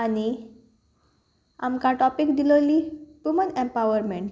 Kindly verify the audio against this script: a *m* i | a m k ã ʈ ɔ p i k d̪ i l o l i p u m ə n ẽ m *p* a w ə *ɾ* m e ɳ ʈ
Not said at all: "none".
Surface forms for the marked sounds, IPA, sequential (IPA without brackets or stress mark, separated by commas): n, p, ɾ